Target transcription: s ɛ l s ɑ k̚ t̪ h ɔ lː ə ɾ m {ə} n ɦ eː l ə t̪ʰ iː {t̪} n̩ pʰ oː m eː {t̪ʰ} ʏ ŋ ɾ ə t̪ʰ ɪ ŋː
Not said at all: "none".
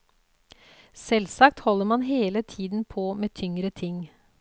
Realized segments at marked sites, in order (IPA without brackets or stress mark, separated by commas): ɑ, d̪, t̪ʰ